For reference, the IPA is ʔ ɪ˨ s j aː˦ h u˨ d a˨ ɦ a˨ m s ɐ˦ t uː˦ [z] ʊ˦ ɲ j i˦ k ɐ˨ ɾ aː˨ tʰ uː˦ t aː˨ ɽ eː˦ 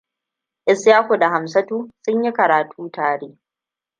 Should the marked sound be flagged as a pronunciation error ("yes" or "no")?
yes